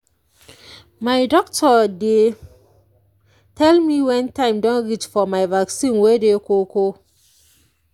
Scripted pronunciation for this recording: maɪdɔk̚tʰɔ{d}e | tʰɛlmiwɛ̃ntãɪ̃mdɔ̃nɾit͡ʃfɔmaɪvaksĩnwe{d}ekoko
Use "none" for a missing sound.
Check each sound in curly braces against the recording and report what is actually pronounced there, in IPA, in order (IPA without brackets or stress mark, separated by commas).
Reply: d, d